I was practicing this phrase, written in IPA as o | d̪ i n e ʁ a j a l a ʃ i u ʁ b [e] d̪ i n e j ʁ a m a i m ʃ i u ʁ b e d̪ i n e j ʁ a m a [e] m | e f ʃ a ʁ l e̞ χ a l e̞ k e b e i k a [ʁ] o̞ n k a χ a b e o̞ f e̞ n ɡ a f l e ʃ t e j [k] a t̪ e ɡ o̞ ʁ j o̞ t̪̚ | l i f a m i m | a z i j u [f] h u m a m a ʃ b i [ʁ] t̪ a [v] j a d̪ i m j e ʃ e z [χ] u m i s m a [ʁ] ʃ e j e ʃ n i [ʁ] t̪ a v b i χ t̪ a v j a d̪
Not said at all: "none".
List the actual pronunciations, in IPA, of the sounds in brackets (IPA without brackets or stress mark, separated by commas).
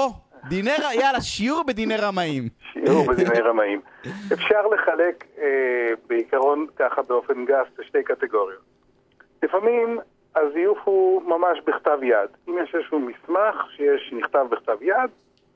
e, i, ʁ, k, f, χ, v, ʃ, χ, χ